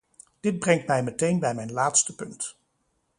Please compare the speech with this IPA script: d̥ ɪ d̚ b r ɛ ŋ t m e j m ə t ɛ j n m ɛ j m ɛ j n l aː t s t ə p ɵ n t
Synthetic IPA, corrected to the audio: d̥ ɪ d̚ b r ɛ ŋ t m ɛ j m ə t e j n b ɛ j m ɛ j n l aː t s t ə p ɵ n t